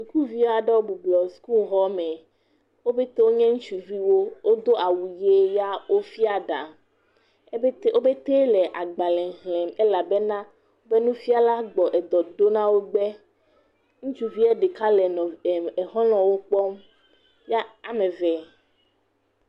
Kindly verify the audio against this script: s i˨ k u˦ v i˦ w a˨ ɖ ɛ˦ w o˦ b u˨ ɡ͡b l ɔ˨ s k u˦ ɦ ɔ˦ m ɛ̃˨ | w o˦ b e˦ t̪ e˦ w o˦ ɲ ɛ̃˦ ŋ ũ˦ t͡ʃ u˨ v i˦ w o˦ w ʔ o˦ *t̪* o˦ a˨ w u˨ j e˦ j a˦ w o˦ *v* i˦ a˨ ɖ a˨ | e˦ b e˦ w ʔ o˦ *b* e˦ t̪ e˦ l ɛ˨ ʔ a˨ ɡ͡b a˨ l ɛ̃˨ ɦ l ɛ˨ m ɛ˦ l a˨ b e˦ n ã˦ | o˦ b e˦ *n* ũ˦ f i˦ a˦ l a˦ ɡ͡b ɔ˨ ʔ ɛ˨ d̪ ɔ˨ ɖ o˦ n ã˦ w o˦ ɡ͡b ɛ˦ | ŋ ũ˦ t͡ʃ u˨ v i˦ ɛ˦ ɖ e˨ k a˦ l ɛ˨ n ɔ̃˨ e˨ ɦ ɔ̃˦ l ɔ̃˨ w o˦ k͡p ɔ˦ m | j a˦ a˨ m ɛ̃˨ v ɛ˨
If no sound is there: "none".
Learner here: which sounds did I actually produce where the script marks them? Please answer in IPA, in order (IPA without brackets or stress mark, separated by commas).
d̪, f, b, n